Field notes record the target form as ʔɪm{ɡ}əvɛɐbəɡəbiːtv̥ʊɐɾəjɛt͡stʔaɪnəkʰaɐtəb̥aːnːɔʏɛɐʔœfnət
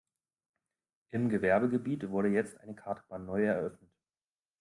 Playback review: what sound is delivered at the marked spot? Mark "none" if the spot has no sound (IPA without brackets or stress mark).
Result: ɡ